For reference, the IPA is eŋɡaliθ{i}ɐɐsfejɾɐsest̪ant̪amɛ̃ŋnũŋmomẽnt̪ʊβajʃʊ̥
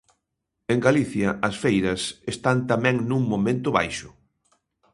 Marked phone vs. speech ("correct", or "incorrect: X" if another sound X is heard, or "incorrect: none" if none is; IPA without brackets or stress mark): incorrect: j